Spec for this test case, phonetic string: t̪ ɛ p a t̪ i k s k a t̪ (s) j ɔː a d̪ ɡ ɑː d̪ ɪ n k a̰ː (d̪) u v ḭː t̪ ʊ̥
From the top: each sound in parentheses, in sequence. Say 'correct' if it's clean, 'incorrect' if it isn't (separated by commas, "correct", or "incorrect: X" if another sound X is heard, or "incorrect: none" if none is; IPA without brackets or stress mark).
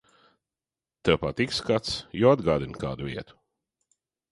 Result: correct, correct